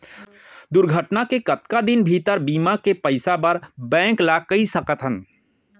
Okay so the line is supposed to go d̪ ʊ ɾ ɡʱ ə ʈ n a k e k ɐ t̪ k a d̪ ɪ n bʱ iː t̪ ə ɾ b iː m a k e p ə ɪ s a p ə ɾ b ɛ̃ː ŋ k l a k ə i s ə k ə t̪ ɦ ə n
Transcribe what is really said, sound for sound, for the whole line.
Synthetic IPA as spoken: d̪ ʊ ɾ ɡʱ ə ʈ n a k e k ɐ t̪ k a d̪ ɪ n bʱ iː t̪ ə ɾ b iː m a k e p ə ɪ s a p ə ɾ b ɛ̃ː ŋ k l a k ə i s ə k ə t̪ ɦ ə n